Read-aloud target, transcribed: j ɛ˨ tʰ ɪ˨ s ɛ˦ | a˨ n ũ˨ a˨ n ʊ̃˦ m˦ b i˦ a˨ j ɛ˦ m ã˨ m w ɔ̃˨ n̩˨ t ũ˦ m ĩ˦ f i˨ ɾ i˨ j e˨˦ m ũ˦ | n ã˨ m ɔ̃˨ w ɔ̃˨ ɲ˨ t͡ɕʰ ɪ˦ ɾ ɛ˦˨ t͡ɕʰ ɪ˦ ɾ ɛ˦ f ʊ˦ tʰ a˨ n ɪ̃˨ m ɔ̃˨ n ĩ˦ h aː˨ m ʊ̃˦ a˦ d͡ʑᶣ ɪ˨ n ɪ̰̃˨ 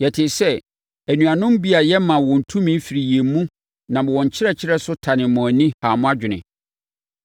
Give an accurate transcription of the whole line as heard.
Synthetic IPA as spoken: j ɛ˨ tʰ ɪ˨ s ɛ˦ | æ˨ n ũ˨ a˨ n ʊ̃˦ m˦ b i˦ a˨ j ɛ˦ m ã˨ w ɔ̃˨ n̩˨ tʰ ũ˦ m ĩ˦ f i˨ ɾ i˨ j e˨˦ m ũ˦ | n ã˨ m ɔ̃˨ w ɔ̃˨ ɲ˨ t͡ɕʰ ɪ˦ ɾ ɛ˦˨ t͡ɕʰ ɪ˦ ɾ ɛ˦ s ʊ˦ tʰ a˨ n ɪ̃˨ m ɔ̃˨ n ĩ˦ h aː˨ m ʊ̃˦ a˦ d͡ʑᶣ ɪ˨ n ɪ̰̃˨

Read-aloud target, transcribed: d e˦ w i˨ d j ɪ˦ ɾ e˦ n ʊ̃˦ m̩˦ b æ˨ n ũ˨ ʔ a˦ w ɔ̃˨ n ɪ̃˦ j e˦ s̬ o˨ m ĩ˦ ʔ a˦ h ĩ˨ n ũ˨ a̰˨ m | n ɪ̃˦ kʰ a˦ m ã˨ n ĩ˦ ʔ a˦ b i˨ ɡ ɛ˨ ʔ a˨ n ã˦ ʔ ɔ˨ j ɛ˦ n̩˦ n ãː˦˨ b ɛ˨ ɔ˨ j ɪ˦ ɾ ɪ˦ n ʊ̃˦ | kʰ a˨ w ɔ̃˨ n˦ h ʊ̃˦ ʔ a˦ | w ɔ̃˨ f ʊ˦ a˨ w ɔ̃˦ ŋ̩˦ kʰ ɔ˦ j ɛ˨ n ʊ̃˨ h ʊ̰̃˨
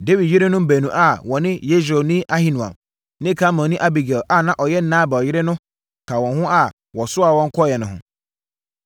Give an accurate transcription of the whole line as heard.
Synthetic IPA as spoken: d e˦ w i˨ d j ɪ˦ ɾ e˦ n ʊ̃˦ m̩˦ b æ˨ n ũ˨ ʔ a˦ w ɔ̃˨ n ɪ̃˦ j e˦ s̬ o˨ n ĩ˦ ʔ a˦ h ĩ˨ n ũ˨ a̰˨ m | n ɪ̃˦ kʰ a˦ m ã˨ n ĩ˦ ʔ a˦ b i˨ ɡ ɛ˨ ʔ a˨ n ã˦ ʔ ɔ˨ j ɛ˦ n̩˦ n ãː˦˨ b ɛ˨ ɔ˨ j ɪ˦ ɾ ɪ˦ n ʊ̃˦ | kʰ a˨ w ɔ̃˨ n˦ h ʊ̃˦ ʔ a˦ | w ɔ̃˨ s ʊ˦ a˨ w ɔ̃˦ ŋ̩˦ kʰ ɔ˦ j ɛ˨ n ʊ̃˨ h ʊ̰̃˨

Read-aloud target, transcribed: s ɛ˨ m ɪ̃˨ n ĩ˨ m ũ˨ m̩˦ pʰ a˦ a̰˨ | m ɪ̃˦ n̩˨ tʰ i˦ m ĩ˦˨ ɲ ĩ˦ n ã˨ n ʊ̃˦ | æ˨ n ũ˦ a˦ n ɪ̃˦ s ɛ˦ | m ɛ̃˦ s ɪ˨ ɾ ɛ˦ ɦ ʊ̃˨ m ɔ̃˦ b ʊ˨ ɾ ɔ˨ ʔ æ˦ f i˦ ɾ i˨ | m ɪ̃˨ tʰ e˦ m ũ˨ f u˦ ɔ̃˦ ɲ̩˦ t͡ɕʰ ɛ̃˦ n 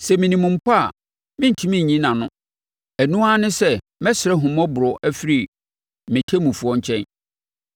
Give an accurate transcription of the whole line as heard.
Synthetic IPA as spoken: s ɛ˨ m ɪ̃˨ n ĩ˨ m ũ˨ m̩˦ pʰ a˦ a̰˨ | m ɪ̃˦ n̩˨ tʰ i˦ m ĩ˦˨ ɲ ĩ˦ n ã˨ n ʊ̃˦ | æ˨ n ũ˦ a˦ n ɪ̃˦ s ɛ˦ | m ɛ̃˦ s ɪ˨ ɾ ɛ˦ ɦ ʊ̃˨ m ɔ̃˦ b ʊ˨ ɾ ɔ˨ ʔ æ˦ f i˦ ɾ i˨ | m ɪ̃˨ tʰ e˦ m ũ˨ f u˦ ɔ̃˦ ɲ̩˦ t͡ɕʰ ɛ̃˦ n

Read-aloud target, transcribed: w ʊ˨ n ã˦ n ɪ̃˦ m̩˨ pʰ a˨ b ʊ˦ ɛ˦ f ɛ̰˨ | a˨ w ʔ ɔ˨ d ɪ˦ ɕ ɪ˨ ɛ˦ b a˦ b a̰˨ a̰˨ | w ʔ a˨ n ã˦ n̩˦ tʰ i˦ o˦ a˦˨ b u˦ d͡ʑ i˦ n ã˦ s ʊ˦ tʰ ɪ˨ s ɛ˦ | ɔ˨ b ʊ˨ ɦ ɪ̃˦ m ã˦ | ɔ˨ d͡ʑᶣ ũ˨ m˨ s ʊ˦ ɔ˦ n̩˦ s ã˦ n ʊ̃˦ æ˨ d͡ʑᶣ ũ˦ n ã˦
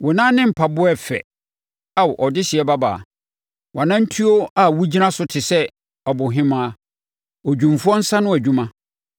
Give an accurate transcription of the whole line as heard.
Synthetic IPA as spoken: w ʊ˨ n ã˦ n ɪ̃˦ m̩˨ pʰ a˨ b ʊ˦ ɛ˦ f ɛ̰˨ | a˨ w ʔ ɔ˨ d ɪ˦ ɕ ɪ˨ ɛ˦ b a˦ b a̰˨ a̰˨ | w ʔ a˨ n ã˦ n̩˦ tʰ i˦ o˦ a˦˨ w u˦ d͡ʑ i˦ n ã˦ s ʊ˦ tʰ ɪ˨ s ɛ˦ | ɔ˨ b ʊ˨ ɦ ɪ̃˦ m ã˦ | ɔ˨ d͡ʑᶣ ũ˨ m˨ f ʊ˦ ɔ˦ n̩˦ s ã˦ n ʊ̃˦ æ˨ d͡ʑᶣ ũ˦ m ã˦

